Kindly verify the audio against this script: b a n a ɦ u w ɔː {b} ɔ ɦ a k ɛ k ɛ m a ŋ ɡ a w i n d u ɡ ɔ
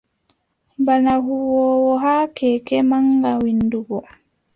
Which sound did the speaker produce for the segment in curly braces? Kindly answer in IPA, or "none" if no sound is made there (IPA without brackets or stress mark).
w